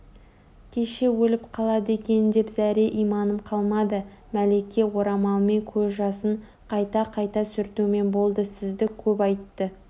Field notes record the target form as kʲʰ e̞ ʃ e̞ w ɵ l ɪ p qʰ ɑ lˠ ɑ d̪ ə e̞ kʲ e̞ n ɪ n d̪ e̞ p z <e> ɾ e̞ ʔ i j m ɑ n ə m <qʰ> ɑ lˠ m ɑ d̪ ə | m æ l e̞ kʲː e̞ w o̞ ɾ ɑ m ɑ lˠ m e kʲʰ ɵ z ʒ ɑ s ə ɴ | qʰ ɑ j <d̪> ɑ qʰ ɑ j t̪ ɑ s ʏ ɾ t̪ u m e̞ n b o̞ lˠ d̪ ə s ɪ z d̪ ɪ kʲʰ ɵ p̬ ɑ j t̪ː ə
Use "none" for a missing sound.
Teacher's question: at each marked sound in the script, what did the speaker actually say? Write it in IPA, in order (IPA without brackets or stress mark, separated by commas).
æ, qʰ, t̪